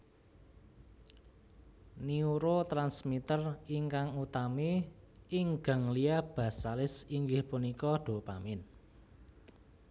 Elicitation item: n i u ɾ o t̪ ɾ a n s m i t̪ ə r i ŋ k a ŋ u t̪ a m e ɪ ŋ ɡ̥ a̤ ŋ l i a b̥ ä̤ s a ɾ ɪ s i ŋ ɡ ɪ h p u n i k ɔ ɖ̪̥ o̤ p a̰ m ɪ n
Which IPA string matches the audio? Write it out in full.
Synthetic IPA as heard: n i u ɾ o t̪ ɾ a n s m i t̪ ə r i ŋ k a ŋ u t̪ a m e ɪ ŋ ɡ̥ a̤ ŋ l i a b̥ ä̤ s a l ɪ s i ŋ ɡ ɪ h p u n i k ɔ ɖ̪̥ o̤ p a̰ m ɪ n